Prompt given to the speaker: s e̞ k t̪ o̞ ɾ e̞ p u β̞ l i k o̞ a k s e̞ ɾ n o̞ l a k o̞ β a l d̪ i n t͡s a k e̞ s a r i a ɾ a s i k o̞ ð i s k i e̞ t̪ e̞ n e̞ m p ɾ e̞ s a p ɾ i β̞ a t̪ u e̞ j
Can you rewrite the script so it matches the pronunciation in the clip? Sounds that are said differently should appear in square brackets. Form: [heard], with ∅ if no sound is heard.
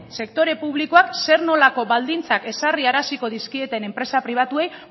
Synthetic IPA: s e̞ k t̪ o̞ ɾ e̞ p u β̞ l i k o̞ a k s e̞ ɾ n o̞ l a k o̞ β a l d̪ i n t͡s a k e̞ s a r i a ɾ a s i k o̞ ð i s k i e̞ t̪ e̞ n e̞ m p ɾ e̞ s a p ɾ i β̞ a t̪ u e̞ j